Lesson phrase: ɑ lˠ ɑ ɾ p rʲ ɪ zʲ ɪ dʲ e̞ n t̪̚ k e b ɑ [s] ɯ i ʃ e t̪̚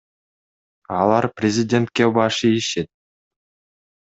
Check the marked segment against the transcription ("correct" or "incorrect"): incorrect